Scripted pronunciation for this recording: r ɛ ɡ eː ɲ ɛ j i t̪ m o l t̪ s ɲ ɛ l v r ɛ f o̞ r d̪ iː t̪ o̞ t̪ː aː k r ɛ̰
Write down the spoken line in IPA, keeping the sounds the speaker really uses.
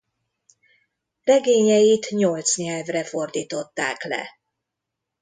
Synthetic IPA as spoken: r ɛ ɡ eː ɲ ɛ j i t̪ ɲ o l t̪ s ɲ ɛ l v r ɛ f o̞ r d̪ iː t̪ o̞ t̪ː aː k l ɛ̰